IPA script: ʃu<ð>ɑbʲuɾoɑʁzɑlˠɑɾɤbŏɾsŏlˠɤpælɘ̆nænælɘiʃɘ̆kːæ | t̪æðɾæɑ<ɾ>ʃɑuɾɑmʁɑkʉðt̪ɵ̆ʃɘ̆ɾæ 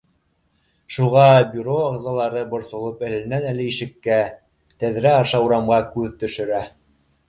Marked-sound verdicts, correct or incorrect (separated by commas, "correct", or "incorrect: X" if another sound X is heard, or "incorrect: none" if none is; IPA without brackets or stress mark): incorrect: ʁ, correct